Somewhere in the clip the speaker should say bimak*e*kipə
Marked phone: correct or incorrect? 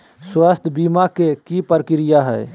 correct